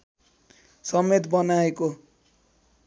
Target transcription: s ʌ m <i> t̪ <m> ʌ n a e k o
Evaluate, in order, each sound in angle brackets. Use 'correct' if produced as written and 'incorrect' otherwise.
incorrect: e, incorrect: b

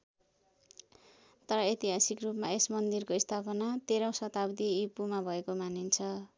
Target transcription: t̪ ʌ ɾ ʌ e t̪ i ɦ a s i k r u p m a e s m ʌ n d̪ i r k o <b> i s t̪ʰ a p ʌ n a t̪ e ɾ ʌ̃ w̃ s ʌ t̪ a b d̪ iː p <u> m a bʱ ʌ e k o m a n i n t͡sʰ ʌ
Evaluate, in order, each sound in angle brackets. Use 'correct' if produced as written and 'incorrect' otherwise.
incorrect: none, correct

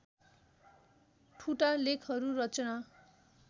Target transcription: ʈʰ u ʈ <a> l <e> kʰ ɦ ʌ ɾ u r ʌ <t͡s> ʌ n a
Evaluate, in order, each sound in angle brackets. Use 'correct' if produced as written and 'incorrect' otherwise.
correct, correct, correct

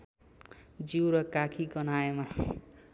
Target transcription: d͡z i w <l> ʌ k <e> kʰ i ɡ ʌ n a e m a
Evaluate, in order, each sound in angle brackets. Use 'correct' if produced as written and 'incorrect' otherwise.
incorrect: ɾ, incorrect: a

